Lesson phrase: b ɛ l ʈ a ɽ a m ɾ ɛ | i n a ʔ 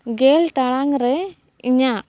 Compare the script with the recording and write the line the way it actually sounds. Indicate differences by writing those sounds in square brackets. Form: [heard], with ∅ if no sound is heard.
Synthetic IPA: [ɡ] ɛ l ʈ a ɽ a [ŋ] ɾ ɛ | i [ɲ] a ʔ